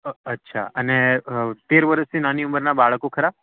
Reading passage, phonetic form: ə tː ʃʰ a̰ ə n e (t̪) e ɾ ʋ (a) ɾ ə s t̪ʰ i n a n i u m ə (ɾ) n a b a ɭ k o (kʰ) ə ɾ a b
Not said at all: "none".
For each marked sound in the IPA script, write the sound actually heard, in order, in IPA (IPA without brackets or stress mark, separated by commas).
t̪, ə, ɾ, kʰ